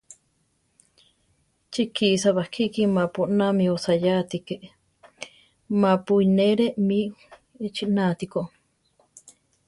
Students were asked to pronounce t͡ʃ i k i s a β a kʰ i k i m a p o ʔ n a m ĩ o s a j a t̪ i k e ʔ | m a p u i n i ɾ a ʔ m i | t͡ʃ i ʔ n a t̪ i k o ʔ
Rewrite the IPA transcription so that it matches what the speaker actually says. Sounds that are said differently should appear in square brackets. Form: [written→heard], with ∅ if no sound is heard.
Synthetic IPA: t͡ʃ i k i s a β a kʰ i k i m a p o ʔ n a m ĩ o s a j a t̪ i k e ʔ | m a p u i n [i→e] ɾ [a→e] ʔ m i | t͡ʃ i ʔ n a t̪ i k o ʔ